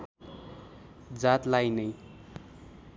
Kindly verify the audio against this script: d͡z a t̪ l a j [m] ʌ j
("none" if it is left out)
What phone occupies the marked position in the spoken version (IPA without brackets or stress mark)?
n